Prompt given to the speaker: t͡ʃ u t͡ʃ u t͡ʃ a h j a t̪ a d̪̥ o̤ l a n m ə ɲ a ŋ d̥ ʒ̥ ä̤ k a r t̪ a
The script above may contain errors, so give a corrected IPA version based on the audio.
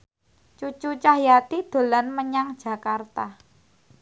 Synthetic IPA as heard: t͡ʃ u t͡ʃ u t͡ʃ a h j a t̪ i d̪̥ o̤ l a n m ə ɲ a ŋ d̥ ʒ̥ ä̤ k a r t̪ a